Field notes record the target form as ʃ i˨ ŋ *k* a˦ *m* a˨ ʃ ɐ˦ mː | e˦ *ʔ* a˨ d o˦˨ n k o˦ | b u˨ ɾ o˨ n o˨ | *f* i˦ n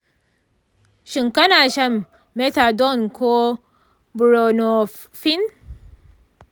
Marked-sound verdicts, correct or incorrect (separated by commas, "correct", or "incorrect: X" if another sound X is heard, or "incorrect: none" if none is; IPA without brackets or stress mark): correct, incorrect: n, incorrect: t, correct